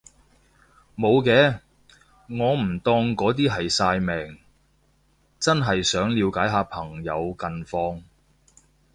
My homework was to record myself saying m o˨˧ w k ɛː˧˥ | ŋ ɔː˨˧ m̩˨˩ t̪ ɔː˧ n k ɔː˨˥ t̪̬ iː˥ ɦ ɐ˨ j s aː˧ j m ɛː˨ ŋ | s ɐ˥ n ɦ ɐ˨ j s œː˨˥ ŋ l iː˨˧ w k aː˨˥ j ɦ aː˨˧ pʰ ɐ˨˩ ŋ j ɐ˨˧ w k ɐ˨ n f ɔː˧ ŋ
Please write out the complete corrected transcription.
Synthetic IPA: m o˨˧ w k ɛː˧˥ | ŋ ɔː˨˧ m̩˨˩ t̪ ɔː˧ ŋ k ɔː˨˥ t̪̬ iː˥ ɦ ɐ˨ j s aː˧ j m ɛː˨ ŋ | t͡s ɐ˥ n ɦ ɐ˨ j s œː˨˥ ŋ l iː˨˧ w k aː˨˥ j ɦ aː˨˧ pʰ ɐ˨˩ ŋ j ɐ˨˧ w k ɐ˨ n f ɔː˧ ŋ